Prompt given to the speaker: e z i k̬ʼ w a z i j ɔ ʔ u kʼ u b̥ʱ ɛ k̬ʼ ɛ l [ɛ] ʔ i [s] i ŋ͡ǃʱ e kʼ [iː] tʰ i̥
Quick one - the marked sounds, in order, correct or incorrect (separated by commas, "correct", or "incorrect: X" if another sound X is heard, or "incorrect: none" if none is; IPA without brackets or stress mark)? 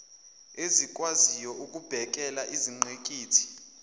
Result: incorrect: a, incorrect: z, correct